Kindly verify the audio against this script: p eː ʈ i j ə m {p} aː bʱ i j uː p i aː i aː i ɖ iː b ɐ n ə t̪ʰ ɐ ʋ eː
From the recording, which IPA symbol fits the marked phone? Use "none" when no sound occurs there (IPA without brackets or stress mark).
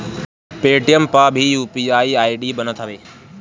p